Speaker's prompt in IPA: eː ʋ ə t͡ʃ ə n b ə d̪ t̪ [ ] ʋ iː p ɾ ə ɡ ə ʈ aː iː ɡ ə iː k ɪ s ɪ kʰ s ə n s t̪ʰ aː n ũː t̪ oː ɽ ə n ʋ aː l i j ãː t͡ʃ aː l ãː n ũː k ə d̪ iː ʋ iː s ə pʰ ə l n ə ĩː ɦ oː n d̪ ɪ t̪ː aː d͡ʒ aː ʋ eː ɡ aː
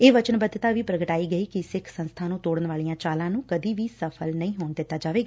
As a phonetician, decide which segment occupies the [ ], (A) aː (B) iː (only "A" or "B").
A